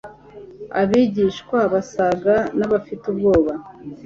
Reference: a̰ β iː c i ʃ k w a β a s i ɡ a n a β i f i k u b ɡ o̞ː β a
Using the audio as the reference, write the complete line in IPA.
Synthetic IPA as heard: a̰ β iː ɟ i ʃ k w a β a s a ɡ a n a β a f i t u b ɡ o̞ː β a